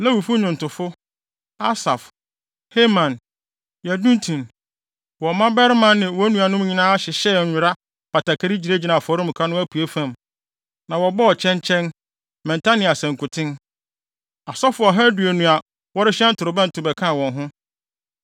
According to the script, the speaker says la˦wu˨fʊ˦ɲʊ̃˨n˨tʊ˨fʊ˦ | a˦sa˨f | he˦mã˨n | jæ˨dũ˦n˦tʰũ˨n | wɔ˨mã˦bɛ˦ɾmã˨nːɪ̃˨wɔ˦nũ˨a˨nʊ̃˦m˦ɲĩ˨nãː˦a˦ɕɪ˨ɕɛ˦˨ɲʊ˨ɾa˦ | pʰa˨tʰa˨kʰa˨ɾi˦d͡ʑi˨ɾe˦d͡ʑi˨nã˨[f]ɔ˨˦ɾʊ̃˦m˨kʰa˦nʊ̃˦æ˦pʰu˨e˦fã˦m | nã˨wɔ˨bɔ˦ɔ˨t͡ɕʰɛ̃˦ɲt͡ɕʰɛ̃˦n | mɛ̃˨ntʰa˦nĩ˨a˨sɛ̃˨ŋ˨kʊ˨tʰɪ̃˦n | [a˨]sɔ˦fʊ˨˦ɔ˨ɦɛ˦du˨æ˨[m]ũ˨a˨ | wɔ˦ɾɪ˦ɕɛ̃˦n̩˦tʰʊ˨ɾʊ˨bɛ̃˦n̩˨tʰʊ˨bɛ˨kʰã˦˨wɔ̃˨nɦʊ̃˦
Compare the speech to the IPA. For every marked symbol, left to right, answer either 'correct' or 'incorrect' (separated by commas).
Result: correct, correct, incorrect